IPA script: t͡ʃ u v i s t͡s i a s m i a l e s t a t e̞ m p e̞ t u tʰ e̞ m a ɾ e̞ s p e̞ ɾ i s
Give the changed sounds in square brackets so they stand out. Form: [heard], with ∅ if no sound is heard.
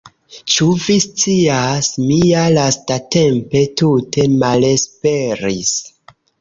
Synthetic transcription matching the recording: t͡ʃ u v i s t͡s i a s m i a l [a] s t a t e̞ m p e̞ t u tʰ e̞ m a [l] e̞ s p e̞ ɾ i s